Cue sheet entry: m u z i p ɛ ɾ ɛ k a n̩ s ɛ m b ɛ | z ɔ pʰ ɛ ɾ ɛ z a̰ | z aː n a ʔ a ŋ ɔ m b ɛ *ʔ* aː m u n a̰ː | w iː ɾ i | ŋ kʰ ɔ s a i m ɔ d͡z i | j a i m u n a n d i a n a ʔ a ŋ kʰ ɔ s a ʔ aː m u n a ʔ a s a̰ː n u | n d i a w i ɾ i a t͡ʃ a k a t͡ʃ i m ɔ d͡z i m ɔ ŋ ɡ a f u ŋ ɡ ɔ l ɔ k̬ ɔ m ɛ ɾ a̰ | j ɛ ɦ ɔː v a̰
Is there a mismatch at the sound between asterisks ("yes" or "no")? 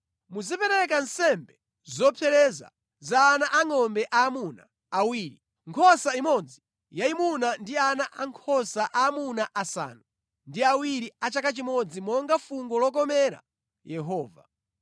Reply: no